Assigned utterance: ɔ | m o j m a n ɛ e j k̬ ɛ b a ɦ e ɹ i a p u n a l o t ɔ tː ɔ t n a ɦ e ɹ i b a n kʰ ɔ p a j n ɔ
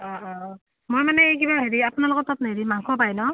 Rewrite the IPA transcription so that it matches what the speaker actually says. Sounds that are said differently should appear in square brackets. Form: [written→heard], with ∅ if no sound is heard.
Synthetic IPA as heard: ɔ | m o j m a n ɛ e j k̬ [ɛ→i] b a ɦ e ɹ i a p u n a l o [t→k] ɔ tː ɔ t n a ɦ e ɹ i [b→m] a [n→ŋ] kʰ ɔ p a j n ɔ

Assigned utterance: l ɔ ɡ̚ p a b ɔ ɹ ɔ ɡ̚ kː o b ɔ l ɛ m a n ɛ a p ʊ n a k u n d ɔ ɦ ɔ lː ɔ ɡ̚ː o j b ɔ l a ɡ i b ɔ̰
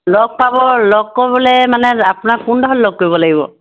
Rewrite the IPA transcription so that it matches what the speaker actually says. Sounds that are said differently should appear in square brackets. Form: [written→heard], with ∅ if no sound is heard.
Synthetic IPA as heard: l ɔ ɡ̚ p a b ɔ [ɹ→l] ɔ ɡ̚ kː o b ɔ l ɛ m a n ɛ a p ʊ n a k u n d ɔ ɦ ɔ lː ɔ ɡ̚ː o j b ɔ l a ɡ i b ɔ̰

